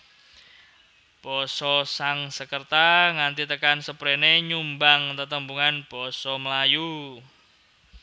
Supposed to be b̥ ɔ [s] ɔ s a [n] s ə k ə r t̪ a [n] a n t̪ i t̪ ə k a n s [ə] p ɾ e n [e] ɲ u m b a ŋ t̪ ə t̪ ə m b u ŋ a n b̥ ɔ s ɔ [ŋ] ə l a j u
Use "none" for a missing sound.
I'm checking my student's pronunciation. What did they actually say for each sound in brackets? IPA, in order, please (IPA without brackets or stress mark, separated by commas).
s, ŋ, ŋ, ə, e, m